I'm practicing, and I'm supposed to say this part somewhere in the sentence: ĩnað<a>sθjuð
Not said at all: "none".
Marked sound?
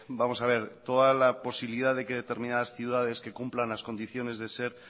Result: a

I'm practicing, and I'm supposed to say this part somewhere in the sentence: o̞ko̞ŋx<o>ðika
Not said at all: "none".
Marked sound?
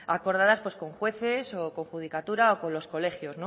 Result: u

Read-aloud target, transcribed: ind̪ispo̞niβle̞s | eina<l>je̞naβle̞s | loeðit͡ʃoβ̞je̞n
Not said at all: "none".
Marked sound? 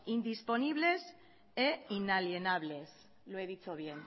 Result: l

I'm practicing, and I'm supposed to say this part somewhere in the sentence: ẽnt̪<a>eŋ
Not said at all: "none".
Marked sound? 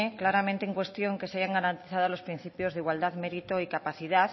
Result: e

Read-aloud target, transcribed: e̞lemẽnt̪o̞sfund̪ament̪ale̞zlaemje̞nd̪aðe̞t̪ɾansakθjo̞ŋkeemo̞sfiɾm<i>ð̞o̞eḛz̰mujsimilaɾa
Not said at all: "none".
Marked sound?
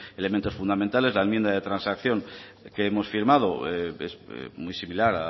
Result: a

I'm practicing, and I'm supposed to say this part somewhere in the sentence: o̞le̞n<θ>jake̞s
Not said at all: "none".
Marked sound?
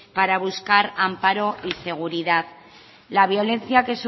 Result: θ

